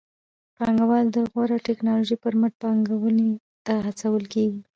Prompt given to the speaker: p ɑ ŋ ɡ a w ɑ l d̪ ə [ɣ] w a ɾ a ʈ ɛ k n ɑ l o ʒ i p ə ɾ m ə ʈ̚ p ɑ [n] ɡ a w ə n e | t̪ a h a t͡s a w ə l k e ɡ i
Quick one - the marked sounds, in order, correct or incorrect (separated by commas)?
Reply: correct, incorrect